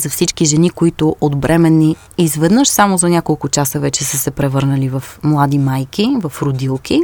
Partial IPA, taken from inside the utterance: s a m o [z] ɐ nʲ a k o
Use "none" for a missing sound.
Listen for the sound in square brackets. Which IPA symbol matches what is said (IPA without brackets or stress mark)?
z